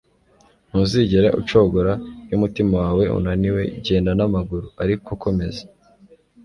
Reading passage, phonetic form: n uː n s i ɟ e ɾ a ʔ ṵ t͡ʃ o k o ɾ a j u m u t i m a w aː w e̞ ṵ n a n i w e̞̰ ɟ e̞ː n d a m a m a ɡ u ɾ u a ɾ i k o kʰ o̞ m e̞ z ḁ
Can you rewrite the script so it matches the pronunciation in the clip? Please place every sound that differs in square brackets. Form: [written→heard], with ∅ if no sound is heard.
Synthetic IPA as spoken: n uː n [s→z] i ɟ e ɾ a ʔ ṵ t͡ʃ o [k→ɡ] o ɾ a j u m u t i m a w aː w e̞ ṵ n a n i w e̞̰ ɟ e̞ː n d a [m→n] a m a ɡ u ɾ u a ɾ i k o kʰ o̞ m e̞ z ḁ